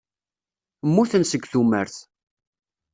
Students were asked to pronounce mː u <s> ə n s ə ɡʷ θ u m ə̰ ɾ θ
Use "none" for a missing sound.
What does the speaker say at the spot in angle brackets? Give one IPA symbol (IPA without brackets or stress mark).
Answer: θ